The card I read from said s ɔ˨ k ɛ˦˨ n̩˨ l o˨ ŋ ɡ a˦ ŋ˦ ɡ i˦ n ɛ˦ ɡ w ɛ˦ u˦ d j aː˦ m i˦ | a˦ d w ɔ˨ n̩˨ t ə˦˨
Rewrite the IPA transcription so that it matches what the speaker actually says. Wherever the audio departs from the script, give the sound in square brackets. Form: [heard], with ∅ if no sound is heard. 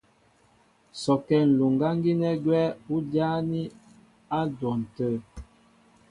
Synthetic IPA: s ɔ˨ k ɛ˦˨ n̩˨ l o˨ ŋ ɡ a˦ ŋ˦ ɡ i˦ n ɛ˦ ɡ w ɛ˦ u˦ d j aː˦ [n] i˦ | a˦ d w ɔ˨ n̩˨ t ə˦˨